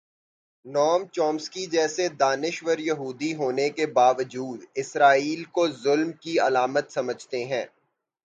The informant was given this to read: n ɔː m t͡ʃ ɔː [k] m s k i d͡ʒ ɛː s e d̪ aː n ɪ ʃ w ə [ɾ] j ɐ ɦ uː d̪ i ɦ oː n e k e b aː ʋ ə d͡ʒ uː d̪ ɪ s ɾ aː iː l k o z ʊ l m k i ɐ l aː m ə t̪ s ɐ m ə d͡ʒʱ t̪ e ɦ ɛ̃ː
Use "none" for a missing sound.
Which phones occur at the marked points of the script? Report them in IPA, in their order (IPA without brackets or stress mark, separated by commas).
none, ɾ